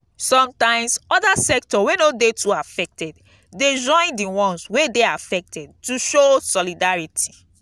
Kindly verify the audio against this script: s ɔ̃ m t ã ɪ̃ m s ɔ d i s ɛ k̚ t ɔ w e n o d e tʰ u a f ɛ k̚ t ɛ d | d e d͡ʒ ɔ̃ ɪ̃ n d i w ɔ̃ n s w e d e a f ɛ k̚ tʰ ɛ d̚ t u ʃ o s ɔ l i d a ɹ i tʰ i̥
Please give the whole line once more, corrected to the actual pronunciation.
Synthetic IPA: s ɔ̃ m t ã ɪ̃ m s ɔ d a s ɛ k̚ t ɔ w e n o d e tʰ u a f ɛ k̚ t ɛ d | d e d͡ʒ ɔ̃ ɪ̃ n d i w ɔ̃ n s w e d e a f ɛ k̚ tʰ ɛ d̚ t u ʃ o s ɔ l i d a ɹ i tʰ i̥